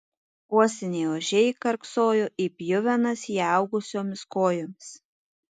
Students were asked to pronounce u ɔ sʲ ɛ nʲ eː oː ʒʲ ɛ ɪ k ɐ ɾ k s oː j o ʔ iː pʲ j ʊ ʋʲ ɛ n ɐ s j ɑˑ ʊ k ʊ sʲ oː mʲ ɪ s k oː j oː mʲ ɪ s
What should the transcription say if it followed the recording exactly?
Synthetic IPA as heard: u ɔ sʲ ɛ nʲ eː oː ʒʲ ɛ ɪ k ɐ ɾ k s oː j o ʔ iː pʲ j ʊ ʋʲ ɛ n ɐ s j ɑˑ ʊ ɡ ʊ sʲ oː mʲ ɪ s k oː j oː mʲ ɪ s